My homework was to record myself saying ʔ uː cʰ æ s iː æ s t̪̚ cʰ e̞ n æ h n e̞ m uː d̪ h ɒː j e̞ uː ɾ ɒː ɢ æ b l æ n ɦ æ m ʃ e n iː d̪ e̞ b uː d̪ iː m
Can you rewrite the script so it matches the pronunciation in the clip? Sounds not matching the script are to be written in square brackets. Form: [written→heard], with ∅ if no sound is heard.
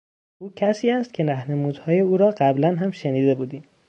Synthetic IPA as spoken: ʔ uː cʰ æ s iː æ s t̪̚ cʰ e̞ n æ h n e̞ m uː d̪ h ɒː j e̞ uː ɾ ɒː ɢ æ b l æ n ɦ æ m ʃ e n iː d̪ e̞ b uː d̪ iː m